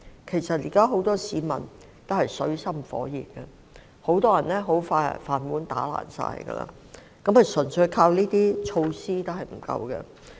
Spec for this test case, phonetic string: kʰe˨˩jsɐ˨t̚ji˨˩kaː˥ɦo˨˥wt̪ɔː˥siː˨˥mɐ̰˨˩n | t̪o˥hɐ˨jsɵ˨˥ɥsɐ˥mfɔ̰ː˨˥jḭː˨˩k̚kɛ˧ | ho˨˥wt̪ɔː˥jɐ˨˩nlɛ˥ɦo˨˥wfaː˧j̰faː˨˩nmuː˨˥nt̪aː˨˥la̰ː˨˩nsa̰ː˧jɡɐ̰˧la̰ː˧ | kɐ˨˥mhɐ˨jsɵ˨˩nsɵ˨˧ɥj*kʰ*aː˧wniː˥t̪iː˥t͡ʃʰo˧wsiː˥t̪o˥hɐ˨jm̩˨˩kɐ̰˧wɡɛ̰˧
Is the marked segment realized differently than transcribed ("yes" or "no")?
no